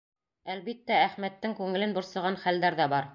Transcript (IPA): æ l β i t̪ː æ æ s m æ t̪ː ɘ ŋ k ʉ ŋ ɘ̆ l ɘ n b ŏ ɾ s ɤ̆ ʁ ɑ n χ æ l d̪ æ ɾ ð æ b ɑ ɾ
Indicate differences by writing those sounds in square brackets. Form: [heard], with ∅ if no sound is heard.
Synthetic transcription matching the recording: æ l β i t̪ː æ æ [χ] m æ t̪ː ɘ ŋ k ʉ ŋ ɘ̆ l ɘ n b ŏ ɾ s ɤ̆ ʁ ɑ n χ æ l d̪ æ ɾ ð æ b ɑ ɾ